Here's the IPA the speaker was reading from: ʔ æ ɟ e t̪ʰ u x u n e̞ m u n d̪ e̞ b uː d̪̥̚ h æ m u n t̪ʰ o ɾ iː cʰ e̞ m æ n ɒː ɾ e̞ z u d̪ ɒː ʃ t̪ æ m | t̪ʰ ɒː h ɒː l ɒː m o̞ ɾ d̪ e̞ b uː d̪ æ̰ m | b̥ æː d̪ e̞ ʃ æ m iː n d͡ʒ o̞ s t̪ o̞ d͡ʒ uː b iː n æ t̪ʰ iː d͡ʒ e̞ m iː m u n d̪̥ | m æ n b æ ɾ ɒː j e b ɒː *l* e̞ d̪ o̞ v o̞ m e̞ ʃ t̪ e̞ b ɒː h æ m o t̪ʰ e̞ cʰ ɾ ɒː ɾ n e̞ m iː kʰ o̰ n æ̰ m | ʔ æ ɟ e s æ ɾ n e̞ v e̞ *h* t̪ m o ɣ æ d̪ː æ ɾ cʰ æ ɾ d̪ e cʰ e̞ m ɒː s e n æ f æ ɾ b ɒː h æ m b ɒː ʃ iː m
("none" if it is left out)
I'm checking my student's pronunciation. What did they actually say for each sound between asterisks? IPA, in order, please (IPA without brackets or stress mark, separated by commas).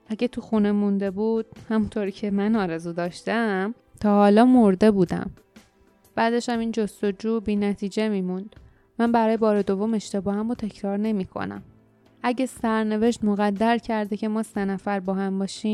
ɾ, ʃ